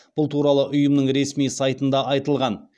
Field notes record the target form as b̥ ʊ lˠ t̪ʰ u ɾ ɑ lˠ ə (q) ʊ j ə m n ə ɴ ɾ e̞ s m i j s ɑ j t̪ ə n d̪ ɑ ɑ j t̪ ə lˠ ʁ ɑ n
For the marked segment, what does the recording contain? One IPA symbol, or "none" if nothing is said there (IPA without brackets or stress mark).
ʔ